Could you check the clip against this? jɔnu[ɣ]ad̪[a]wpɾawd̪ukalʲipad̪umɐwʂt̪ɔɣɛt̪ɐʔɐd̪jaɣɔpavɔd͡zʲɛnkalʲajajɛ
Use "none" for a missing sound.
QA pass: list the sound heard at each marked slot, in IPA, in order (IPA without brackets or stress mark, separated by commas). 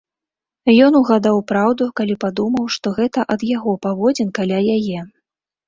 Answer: ɣ, a